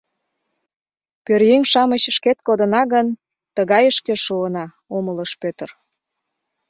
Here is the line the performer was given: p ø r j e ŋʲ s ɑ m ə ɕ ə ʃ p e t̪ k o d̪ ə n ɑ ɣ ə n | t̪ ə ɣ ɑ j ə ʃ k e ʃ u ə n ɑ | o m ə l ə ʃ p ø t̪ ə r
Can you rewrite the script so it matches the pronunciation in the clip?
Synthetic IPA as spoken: p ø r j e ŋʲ ʃ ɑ m ə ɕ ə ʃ k e t̪ k o d̪ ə n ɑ ɣ ə n | t̪ ə ɣ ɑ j ə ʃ k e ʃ u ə n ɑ | o m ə l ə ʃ p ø t̪ ə r